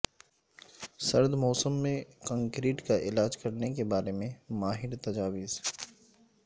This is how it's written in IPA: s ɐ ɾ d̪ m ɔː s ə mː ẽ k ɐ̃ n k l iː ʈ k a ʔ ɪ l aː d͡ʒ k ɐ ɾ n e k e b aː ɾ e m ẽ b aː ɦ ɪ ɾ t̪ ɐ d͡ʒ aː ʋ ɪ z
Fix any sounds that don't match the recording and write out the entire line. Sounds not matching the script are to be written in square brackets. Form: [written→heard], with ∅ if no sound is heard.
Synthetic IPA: s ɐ ɾ d̪ m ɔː s ə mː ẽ k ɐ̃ [n→ŋ] k [l→ɾ] iː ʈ k a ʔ ɪ l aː d͡ʒ k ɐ ɾ n e k e b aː ɾ e m ẽ [b→m] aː ɦ ɪ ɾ t̪ ɐ d͡ʒ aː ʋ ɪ z